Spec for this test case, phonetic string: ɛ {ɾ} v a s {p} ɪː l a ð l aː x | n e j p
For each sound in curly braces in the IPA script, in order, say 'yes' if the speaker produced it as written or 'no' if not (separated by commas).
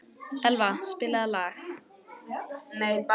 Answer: no, yes